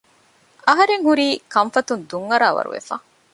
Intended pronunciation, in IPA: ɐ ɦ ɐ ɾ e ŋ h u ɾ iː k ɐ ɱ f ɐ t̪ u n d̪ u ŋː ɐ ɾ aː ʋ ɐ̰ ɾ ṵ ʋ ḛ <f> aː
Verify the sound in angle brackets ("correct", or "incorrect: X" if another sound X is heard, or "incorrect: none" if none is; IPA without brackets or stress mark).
correct